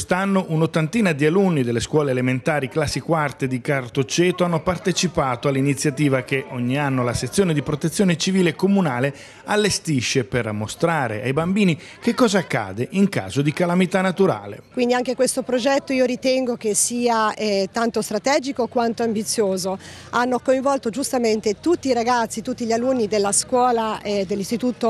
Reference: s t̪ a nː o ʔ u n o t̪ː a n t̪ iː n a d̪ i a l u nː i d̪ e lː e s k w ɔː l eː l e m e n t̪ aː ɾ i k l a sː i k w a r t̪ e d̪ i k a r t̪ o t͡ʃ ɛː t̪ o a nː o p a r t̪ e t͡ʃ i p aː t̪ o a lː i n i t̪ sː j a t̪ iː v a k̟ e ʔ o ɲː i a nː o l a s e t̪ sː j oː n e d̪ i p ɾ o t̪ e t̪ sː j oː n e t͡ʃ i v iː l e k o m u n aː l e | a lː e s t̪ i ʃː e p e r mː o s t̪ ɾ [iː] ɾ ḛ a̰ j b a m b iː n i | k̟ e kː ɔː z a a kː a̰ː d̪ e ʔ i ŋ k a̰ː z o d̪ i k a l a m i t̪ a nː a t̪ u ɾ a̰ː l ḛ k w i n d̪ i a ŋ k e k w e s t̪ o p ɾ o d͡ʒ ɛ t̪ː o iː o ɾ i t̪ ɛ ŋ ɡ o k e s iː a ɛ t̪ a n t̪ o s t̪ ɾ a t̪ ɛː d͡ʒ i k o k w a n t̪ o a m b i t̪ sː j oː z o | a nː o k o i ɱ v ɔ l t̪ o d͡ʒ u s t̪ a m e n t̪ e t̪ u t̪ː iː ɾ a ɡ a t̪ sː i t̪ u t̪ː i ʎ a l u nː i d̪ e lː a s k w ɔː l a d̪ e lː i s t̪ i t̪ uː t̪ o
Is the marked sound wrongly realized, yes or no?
yes